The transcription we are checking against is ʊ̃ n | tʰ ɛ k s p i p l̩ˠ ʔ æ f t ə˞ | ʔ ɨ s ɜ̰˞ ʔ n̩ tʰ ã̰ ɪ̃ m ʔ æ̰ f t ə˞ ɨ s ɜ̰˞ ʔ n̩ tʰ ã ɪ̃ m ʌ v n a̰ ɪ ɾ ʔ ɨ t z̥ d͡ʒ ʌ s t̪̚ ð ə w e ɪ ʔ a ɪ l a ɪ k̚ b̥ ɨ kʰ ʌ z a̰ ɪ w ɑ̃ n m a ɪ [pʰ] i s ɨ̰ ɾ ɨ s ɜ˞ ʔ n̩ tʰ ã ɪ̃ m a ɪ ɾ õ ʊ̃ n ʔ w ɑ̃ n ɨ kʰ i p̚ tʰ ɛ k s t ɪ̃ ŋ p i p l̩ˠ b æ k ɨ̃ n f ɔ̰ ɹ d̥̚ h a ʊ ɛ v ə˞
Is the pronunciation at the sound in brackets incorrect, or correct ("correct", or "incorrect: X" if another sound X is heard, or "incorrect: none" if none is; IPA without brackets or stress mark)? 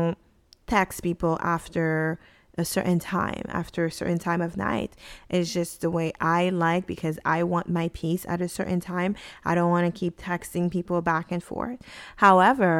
correct